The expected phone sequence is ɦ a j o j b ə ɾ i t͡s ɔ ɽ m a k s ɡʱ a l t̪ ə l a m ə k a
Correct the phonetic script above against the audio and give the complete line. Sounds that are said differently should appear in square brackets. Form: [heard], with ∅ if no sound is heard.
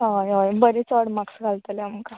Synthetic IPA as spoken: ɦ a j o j b ə ɾ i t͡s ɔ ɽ m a k s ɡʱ a l t̪ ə l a m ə k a